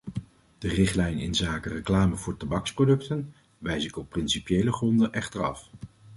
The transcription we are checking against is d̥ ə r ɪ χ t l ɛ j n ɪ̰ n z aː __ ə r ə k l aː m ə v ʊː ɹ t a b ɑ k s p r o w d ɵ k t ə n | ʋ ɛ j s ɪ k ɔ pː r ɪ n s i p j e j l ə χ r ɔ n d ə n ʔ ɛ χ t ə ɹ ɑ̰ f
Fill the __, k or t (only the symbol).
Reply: k